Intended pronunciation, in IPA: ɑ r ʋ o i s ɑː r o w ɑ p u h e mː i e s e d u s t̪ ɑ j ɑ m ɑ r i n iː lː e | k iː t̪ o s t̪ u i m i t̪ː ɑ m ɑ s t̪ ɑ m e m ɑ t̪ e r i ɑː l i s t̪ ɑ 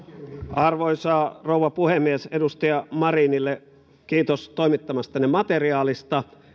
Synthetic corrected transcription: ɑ r ʋ o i s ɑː r o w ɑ p u h e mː i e s e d u s t̪ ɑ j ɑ m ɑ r i n i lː e | k iː t̪ o s t̪ o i m i t̪ː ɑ m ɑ s t̪ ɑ n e m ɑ t̪ e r i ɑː l i s t̪ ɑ